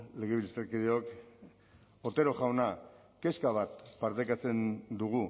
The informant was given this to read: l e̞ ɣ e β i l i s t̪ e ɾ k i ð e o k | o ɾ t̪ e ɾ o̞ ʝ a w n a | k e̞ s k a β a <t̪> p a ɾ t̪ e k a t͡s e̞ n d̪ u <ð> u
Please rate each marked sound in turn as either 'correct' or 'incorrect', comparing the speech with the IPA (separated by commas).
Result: correct, incorrect